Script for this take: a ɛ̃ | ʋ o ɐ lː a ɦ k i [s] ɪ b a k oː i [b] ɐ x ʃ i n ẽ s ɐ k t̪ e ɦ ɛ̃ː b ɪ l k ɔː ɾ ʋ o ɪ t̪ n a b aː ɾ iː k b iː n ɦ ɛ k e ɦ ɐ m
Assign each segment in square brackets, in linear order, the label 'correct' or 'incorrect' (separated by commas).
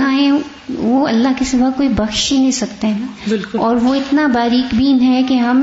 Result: correct, correct